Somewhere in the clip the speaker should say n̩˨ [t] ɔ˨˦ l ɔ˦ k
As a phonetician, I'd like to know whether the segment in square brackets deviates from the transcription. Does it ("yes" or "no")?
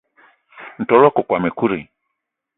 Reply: no